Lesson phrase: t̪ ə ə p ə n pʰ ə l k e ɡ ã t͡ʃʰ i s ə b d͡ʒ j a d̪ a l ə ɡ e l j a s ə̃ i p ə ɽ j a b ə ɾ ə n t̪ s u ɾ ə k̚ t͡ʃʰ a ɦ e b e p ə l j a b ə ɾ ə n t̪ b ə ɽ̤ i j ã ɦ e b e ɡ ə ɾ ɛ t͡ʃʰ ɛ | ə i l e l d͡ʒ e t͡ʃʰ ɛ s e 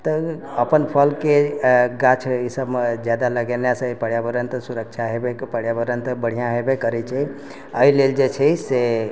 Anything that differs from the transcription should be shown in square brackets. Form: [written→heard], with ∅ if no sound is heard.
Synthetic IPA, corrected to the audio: t̪ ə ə p ə n pʰ ə l k e ɡ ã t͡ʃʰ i s ə b d͡ʒ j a d̪ a l ə ɡ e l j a s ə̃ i p ə ɽ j a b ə ɾ ə n t̪ s u ɾ ə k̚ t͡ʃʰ a ɦ e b e p ə [l→ɽ] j a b ə ɾ ə n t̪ b ə ɽ̤ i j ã ɦ e b e [ɡ→k] ə ɾ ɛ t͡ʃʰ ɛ | ə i l e l d͡ʒ e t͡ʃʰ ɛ s e